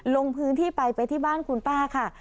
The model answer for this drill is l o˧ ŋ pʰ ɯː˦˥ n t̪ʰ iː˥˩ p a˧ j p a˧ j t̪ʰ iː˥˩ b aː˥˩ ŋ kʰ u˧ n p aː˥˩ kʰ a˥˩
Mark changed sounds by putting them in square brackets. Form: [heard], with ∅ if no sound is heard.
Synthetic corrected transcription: l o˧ ŋ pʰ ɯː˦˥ n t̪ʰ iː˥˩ p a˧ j p a˧ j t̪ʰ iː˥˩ b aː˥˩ [n] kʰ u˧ n p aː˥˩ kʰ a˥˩